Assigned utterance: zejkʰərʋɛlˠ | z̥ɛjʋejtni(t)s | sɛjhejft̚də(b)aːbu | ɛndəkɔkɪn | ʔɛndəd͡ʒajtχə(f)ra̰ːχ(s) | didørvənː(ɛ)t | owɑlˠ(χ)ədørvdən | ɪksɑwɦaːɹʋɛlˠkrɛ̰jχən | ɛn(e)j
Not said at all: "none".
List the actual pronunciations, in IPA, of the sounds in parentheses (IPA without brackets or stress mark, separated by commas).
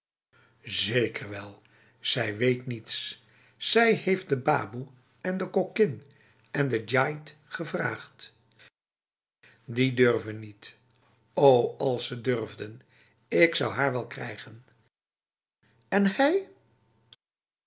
t, b, v, t, i, s, ɛ